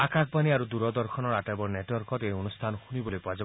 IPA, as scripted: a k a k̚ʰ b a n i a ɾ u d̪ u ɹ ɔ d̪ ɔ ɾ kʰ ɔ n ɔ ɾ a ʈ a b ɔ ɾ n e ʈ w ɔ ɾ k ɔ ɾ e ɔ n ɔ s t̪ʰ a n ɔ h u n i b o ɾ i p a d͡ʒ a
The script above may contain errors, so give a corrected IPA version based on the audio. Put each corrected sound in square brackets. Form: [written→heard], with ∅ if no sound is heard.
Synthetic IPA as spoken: a k a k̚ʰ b a n i a ɾ u d̪ u [ɹ→ɾ] ɔ d̪ ɔ ɾ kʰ ɔ n ɔ ɾ a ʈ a b ɔ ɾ n e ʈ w ɔ ɾ k ɔ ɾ e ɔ n [ɔ→u] s t̪ʰ a n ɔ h u n i b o [ɾ→l] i p a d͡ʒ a